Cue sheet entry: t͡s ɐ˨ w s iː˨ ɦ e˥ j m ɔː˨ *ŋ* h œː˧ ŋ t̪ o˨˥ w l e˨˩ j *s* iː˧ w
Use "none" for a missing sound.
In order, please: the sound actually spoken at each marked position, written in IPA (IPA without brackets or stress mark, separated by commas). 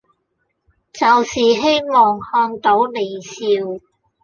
ŋ, s